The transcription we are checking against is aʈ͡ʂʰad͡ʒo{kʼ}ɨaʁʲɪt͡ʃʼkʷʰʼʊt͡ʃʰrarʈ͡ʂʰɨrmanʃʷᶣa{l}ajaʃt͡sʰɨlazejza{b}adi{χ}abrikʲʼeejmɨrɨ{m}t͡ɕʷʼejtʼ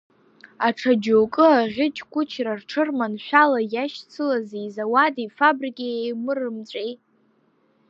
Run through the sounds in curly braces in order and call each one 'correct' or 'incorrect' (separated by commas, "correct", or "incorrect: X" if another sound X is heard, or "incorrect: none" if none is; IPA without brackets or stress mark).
correct, correct, incorrect: w, incorrect: f, correct